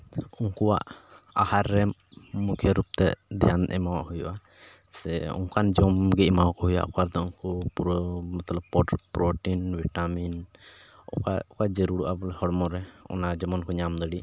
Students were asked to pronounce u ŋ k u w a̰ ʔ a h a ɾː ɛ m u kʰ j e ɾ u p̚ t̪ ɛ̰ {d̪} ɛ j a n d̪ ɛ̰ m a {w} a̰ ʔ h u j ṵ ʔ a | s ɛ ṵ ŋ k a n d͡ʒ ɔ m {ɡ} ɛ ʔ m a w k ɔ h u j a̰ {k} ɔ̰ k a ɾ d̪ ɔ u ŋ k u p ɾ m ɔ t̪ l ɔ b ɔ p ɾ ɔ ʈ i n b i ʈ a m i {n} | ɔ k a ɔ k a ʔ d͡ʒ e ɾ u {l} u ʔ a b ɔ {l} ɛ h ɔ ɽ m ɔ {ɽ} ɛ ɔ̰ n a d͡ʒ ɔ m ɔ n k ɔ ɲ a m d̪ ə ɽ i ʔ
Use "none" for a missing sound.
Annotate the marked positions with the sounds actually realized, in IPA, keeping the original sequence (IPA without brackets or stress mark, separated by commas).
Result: d̪, w, ɡ, ʔ, n, ɽ, l, ɾ